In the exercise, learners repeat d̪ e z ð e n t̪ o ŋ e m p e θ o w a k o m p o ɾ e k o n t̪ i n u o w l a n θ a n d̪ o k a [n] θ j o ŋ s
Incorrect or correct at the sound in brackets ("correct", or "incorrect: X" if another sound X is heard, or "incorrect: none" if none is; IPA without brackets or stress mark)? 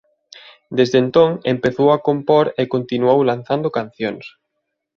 correct